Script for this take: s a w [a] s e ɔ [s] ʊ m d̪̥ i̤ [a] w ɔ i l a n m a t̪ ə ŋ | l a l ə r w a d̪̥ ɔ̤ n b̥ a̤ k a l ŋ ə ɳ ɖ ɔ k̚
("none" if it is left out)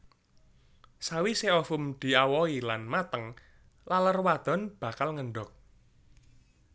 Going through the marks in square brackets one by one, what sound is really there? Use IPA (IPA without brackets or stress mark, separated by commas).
i, f, a